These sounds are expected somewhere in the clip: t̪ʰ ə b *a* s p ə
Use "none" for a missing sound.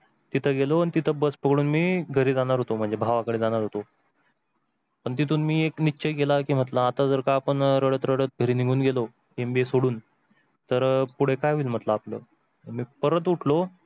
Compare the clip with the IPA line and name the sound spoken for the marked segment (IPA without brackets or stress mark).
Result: ə